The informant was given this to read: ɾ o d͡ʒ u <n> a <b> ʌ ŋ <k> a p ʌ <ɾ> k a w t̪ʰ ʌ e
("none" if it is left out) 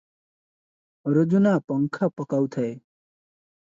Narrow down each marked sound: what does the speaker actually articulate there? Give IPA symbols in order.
n, p, kʰ, none

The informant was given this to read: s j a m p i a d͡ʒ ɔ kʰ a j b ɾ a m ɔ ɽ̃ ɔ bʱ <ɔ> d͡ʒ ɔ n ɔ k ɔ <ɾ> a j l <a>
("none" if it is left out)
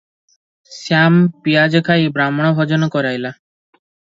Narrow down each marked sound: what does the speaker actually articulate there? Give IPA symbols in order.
ɔ, ɾ, a

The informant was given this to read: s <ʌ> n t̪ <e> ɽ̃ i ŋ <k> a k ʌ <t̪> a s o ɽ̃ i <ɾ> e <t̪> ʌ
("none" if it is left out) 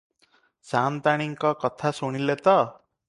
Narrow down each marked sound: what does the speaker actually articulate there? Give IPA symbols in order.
a, a, k, t̪ʰ, l, t̪

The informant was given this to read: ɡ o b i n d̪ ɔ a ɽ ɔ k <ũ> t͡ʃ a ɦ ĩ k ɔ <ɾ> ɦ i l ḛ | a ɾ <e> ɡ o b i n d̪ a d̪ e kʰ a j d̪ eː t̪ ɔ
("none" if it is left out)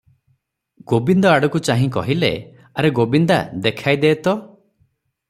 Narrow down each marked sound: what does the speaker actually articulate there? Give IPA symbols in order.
u, none, e

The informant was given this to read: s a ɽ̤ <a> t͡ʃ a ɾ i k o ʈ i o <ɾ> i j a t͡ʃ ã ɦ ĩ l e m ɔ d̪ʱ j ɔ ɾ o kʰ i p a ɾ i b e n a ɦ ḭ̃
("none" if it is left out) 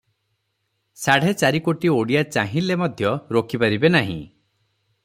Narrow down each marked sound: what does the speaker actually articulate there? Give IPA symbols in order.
e, ɽ

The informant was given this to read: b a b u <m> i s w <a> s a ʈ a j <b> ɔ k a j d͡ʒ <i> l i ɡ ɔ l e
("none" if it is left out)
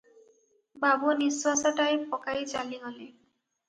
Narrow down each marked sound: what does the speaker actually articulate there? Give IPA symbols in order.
n, a, p, a

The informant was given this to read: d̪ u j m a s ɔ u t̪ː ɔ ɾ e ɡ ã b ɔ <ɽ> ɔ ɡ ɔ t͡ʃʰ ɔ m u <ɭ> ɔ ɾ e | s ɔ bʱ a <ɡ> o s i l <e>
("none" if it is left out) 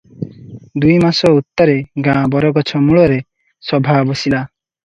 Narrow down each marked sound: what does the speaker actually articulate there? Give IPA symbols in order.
ɾ, ɭ, b, a

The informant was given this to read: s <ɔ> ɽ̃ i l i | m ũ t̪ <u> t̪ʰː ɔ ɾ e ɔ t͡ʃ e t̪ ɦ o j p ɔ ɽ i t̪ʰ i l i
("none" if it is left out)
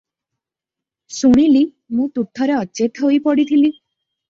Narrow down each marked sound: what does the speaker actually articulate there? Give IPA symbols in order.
u, u

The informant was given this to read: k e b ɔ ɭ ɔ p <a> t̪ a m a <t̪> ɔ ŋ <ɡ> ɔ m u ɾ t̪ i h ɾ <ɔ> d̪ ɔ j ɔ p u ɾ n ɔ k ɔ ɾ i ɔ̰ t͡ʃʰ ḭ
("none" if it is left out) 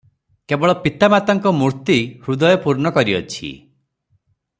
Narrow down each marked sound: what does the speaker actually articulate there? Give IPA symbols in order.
i, t̪, k, u

